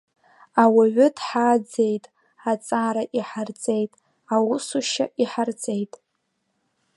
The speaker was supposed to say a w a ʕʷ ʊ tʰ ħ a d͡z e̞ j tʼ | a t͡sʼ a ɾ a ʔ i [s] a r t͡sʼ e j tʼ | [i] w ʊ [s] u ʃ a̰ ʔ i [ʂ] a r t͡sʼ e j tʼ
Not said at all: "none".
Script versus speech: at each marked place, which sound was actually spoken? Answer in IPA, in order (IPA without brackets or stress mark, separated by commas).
ħ, a, s, ħ